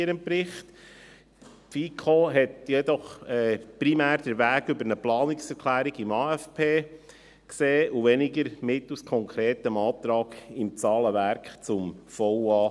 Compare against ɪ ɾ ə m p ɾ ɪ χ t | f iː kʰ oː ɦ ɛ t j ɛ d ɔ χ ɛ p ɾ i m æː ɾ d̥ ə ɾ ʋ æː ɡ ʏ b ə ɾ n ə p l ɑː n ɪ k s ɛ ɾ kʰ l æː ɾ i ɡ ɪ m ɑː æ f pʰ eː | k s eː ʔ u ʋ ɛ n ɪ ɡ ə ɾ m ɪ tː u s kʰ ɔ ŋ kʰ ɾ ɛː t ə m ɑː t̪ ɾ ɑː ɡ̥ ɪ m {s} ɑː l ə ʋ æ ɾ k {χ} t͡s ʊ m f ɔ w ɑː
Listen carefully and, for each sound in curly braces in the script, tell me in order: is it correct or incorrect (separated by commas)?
incorrect, correct